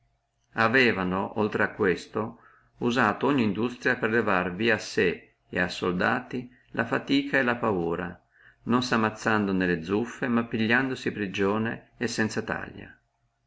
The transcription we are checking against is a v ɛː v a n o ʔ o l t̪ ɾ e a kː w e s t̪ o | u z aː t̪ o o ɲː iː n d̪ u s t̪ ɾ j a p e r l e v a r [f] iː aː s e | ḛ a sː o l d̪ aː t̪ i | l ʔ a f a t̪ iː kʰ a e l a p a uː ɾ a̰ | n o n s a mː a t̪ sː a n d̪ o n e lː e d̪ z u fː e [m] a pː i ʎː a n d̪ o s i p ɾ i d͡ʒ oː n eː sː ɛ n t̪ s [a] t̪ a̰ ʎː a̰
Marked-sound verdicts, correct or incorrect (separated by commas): incorrect, correct, correct